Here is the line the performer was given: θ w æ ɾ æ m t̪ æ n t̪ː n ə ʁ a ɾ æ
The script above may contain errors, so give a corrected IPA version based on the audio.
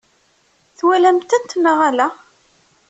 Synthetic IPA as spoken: θ w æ l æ m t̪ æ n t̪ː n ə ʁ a l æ